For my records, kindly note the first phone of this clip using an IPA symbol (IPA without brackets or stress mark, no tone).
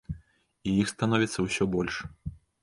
i